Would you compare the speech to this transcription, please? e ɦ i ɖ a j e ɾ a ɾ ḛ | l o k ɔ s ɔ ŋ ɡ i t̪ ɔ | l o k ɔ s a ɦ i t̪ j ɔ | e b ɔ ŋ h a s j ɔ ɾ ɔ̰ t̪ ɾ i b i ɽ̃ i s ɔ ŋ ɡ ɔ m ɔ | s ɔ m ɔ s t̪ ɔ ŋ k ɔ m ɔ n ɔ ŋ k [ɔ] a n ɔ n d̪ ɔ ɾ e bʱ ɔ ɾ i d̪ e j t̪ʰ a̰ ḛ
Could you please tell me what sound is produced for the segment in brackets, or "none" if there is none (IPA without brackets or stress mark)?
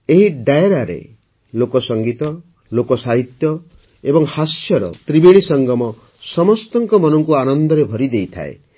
u